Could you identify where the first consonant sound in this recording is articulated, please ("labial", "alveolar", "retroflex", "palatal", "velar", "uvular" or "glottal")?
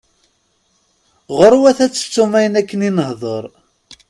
uvular